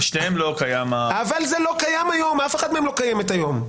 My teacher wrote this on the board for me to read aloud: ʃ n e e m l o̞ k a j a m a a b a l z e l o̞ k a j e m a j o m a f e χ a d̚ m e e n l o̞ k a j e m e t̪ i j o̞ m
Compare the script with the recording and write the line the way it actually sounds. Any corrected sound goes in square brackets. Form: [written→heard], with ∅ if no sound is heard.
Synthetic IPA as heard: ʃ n e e m l o̞ k a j a m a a [b→v] a l z e l o̞ k a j [e→a] m a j o m a f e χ a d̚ m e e [n→m] l o̞ k a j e m e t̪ [i→a] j o̞ m

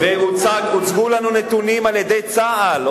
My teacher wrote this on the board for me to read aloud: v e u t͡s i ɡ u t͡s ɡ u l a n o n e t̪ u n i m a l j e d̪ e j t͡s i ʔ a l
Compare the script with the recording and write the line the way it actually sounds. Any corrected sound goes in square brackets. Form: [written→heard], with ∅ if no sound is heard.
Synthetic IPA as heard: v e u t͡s [i→a] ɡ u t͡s ɡ u l a n [o→u] n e t̪ u n i m a l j e d̪ e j t͡s [i→a] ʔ a l

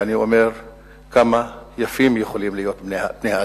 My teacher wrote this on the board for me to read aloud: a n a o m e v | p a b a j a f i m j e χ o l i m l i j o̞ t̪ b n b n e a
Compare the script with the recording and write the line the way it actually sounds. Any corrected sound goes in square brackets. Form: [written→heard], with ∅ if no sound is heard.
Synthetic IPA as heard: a n [a→i] o m e [v→ʁ] | [p→k] a [b→m] a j a f i m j e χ o l i m l i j o̞ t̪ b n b n e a

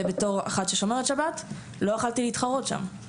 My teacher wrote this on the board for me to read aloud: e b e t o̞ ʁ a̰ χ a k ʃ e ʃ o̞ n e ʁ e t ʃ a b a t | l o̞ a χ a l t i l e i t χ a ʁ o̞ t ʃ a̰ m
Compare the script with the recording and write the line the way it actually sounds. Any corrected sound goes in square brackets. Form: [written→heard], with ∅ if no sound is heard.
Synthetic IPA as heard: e b e t o̞ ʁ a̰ χ a [k→t] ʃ e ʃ o̞ [n→m] e ʁ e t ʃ a b a t | l o̞ a χ a l t i l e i t χ a ʁ o̞ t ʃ a̰ m

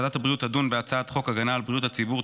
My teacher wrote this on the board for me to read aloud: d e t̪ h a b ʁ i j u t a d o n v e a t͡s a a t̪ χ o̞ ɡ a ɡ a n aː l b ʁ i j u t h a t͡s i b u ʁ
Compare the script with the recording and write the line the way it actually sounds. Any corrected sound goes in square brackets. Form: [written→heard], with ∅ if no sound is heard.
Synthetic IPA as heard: d [e→a] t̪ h a b ʁ i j u t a d [o→u] n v e a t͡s a a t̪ χ o̞ [ɡ→k] a ɡ a n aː l b ʁ i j u t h a t͡s i b u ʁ

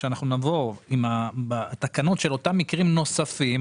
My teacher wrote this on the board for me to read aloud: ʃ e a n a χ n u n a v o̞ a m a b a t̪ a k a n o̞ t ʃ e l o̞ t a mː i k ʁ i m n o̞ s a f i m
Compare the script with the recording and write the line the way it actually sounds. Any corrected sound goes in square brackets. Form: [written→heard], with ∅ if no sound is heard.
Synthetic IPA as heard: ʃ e a n a χ n u n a v o̞ [a→i] m a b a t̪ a k a n o̞ t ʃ e l o̞ t a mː i k ʁ i m n o̞ s a f i m

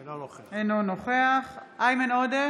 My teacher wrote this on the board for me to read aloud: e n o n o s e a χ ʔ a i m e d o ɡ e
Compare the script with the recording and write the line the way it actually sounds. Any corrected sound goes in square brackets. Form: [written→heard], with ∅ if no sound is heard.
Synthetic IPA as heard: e n o n o [s→χ] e a χ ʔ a [i→j] m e [d→n] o [ɡ→d] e

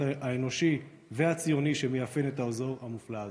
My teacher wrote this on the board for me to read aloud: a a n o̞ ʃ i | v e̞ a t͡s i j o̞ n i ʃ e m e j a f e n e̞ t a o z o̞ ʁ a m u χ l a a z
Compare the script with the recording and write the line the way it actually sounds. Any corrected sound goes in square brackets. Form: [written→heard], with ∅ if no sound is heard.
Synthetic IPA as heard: a [a→e] n o̞ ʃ i | v e̞ a t͡s i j o̞ n i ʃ e m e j a f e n e̞ t a o z o̞ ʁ a m u [χ→f] l a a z

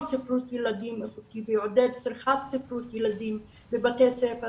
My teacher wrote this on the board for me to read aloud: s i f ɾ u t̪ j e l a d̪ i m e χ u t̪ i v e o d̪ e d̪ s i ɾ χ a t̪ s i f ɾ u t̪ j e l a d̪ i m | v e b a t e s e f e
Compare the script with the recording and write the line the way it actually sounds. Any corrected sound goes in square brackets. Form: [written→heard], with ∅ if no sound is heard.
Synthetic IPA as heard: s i f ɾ u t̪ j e l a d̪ i m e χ u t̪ i v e o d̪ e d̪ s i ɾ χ a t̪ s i f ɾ u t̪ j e l a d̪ i m | [v→b] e b a t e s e f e

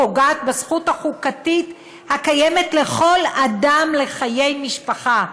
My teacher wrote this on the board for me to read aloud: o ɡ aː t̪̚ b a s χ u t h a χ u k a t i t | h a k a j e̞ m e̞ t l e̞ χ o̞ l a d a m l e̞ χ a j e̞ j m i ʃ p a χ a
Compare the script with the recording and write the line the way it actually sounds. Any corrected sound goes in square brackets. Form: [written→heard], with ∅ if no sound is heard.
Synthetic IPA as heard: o ɡ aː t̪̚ b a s χ u t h a χ u k a t i t | h a k a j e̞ m e̞ t l e̞ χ o̞ l a d a m l e̞ χ a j e̞ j m i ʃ p a χ a

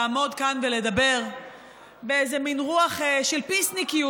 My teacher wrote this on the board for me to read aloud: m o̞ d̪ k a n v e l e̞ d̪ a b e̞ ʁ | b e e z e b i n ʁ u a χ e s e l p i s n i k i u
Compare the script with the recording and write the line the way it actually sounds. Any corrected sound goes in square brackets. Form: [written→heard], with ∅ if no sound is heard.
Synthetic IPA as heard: m o̞ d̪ k a n v e l e̞ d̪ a b e̞ ʁ | b e e z e [b→m] i n ʁ u a χ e [s→ʃ] e l p i s n i k i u

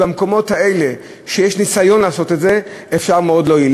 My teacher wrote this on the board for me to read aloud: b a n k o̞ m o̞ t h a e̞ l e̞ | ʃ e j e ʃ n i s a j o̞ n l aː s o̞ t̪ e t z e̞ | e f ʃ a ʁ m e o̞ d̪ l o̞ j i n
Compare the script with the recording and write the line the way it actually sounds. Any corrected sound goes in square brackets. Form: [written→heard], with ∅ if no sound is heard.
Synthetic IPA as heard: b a [n→m] k o̞ m o̞ t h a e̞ l e̞ | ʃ e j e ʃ n i s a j o̞ n l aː s o̞ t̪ e t z e̞ | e f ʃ a ʁ m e o̞ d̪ l o̞ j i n

